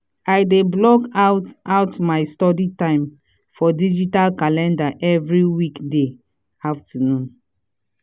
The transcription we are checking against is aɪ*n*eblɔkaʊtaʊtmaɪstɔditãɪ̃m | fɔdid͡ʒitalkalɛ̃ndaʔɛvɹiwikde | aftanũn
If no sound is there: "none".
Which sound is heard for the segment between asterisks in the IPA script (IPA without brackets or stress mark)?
d